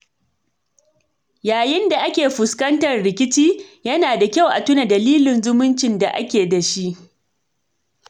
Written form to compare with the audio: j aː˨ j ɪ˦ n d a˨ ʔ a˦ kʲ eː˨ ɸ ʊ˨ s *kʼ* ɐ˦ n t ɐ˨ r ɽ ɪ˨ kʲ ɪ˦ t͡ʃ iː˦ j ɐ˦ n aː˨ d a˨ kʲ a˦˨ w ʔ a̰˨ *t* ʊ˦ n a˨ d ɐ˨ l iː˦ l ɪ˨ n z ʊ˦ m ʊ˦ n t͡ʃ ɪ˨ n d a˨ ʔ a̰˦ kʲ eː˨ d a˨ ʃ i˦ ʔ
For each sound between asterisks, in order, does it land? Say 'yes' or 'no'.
no, yes

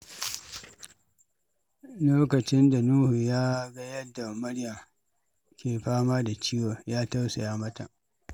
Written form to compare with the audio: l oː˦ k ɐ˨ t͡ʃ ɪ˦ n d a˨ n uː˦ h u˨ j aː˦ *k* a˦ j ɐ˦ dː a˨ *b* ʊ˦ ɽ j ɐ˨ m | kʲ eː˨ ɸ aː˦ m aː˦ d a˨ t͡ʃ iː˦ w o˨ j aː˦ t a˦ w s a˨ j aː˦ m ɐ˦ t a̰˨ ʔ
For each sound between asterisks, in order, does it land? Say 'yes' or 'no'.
no, no

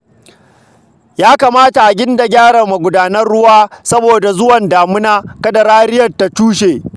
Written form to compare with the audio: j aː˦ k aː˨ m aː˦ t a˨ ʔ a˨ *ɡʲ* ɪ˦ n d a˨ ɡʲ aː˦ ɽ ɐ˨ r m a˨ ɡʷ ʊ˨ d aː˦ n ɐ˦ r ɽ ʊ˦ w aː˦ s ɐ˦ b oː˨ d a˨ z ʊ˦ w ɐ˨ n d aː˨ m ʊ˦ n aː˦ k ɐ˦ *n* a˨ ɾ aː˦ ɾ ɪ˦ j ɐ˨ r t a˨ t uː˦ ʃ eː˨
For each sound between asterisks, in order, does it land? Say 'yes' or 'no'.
yes, no

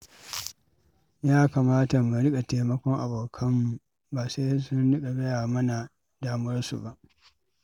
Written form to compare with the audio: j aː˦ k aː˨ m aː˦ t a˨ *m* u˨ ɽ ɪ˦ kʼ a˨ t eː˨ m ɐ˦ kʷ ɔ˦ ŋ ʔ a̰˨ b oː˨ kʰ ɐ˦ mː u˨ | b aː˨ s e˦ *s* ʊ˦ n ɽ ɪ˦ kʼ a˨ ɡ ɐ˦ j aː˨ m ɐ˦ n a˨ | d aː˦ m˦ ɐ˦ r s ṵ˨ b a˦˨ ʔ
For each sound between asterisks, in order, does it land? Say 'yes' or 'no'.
yes, yes

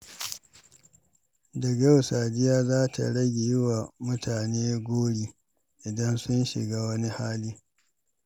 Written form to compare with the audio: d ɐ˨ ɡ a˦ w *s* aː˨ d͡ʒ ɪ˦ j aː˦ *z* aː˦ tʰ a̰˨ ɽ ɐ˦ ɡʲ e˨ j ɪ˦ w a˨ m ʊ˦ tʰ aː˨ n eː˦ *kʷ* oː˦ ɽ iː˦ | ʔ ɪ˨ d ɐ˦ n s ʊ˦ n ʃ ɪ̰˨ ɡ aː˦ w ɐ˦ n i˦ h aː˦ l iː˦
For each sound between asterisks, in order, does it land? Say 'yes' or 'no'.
yes, yes, no

